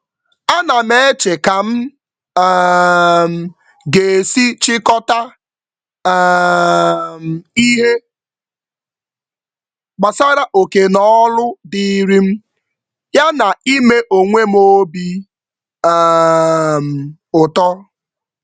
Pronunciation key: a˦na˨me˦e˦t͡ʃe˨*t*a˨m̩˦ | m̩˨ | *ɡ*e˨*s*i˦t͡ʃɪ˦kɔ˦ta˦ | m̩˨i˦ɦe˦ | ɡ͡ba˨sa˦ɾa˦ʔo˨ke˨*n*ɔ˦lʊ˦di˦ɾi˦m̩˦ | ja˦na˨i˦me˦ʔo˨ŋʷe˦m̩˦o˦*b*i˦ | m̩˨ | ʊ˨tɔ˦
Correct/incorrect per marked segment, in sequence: incorrect: k, correct, correct, correct, correct

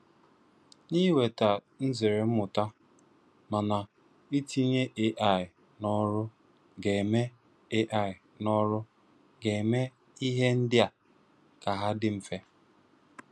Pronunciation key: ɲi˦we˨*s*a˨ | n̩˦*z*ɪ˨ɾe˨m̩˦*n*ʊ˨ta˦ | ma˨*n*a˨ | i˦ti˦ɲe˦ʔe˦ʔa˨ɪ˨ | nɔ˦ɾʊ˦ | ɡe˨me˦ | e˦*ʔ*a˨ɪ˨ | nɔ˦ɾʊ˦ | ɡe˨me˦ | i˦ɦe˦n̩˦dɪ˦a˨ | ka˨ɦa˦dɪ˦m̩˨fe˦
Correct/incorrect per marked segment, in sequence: incorrect: t, correct, incorrect: m, correct, correct

